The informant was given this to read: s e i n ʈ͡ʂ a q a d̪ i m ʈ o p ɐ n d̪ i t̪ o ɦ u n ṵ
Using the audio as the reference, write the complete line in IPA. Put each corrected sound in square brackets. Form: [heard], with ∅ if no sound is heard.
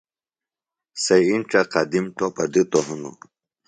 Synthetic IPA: s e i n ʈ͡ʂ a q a d̪ i m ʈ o p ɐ [∅] d̪ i t̪ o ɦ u n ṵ

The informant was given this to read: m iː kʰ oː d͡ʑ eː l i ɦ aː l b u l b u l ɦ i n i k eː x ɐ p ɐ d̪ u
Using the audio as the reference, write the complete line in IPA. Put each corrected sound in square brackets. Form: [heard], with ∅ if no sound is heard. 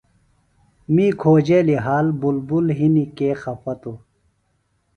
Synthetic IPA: m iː kʰ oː d͡ʑ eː l i ɦ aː l b u l b u l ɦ i n i k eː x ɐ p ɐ [t̪] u

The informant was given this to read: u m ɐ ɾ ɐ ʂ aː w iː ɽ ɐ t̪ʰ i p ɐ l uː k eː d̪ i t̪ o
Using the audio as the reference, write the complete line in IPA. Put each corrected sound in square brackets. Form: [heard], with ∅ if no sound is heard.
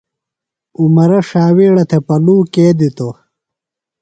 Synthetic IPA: u m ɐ ɾ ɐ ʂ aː w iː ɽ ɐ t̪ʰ [e] p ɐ l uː k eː d̪ i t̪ o

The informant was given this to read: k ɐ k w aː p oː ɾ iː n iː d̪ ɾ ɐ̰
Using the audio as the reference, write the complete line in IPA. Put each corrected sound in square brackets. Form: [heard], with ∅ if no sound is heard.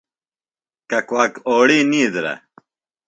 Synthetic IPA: k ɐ k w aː [k] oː [ɽ] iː n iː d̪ ɾ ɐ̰

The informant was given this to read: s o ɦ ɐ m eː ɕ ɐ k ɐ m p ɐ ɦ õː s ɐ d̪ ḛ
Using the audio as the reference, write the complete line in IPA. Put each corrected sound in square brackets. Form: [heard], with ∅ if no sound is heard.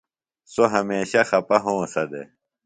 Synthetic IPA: s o ɦ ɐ m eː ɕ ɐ [x] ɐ [∅] p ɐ ɦ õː s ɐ d̪ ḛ

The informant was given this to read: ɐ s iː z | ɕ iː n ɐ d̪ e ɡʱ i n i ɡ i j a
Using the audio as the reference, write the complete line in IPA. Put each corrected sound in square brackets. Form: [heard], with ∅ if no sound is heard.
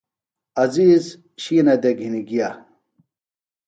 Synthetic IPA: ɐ [z] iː z | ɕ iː n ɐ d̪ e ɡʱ i n i ɡ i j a

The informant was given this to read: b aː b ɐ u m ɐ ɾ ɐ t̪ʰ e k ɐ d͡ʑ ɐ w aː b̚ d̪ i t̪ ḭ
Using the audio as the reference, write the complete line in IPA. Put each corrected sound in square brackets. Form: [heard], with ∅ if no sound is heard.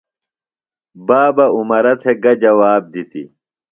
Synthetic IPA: b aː b ɐ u m ɐ ɾ ɐ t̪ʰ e [ɡ] ɐ d͡ʑ ɐ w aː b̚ d̪ i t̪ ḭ

